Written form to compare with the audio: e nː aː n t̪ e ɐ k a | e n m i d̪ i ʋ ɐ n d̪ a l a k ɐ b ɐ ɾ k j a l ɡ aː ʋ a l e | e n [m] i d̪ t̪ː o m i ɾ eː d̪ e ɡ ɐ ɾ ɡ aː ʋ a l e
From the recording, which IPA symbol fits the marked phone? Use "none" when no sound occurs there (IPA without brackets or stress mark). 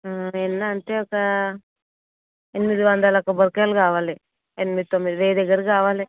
m